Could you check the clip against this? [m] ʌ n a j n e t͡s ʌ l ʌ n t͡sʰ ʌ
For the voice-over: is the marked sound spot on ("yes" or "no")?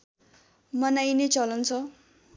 yes